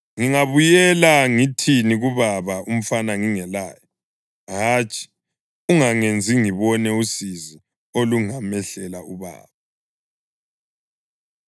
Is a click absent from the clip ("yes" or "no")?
yes